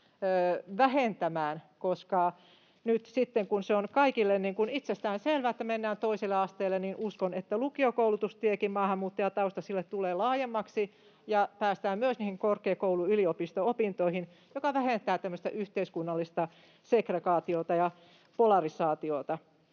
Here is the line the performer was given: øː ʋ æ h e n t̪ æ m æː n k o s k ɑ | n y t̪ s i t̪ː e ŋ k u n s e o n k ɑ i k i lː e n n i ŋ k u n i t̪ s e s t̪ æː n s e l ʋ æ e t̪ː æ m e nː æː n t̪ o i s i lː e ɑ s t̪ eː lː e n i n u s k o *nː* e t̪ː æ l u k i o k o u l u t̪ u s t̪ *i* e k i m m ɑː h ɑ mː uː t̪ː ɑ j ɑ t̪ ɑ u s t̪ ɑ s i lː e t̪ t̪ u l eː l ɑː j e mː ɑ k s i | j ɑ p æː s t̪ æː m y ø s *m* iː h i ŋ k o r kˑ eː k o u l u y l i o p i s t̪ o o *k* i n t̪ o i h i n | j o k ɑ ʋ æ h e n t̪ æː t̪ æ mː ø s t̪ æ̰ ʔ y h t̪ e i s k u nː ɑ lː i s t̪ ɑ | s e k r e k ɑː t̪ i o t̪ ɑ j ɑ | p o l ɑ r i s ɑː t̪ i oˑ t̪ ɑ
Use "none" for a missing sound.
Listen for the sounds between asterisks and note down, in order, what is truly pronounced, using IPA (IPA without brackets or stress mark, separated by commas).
n, i, n, p